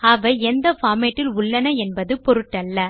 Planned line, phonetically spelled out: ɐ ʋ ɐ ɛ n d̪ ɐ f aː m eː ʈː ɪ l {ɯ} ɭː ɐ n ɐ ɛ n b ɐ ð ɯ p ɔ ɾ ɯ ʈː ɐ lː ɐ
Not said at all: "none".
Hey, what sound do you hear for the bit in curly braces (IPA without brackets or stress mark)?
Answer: ʊ